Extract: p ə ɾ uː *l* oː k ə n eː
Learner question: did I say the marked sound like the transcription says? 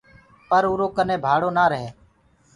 no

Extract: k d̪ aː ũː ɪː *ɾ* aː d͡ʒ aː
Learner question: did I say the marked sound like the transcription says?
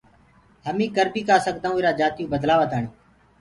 yes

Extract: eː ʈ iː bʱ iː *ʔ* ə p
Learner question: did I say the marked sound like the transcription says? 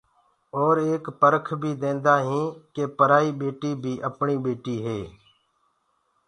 yes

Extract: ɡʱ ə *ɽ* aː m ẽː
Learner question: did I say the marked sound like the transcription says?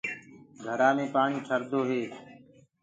no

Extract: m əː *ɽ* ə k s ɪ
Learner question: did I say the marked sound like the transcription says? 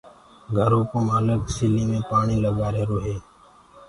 no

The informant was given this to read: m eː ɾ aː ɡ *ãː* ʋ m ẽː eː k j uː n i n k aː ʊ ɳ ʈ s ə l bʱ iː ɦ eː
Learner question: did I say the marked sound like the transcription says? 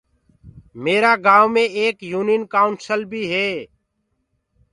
no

